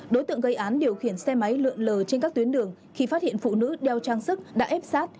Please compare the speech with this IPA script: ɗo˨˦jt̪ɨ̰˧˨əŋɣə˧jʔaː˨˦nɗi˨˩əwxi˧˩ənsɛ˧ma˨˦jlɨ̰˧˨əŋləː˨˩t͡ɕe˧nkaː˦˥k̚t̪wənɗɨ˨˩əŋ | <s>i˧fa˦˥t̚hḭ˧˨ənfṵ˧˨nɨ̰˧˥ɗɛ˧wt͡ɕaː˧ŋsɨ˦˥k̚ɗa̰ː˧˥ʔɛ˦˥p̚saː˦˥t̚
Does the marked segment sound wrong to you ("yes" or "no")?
yes